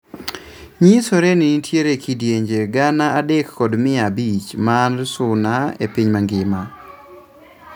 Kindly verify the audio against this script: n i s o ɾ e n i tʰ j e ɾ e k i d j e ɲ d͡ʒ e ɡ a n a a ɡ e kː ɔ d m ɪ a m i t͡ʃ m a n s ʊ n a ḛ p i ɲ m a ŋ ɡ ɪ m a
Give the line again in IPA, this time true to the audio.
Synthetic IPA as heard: ɲ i s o ɾ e n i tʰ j e ɾ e k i d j e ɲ d͡ʒ e ɡ a n a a d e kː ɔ d m ɪ a b i t͡ʃ m a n s ʊ n a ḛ p i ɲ m a ŋ ɡ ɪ m a